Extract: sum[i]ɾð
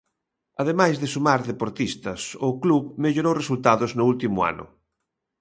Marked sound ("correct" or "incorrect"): incorrect